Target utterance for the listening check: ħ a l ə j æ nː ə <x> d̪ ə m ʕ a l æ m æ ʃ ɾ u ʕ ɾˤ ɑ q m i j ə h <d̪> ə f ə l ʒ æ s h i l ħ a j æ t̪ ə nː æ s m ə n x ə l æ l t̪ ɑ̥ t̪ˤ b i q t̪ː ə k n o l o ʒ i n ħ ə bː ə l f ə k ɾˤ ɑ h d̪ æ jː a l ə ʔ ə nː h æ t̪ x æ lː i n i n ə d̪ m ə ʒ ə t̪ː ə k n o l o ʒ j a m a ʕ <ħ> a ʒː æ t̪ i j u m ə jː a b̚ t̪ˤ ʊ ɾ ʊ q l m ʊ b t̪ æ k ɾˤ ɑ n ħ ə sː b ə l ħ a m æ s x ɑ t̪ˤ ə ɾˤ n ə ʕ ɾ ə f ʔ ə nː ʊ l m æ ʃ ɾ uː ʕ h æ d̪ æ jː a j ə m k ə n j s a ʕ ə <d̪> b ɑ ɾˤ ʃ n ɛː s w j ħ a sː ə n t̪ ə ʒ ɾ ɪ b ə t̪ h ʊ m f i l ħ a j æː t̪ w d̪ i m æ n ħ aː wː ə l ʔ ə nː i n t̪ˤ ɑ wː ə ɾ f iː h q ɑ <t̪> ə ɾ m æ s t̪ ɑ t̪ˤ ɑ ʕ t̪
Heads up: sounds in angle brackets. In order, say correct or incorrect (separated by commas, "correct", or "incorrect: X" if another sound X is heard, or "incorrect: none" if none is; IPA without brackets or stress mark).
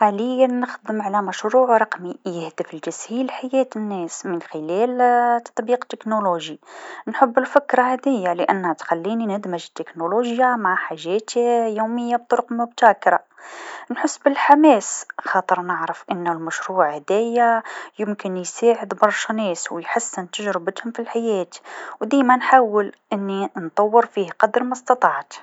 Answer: correct, correct, correct, correct, incorrect: d̪